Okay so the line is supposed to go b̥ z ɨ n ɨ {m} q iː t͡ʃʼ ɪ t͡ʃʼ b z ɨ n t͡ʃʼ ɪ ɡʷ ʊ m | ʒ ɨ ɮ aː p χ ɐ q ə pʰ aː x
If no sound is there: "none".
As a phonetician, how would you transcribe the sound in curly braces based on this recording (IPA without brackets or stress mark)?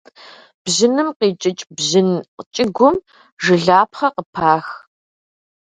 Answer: m